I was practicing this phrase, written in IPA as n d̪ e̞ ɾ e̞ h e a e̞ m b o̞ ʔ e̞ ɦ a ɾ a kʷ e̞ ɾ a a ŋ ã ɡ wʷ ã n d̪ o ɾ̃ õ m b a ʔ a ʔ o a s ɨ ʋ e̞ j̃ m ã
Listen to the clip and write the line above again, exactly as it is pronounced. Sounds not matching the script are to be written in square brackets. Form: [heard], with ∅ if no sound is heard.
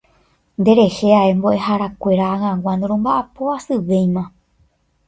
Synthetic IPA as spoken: n d̪ e̞ ɾ e̞ h e a e̞ m b o̞ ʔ e̞ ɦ a ɾ a kʷ e̞ ɾ a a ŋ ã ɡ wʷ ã n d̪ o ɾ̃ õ m b a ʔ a [p] o a s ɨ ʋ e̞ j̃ m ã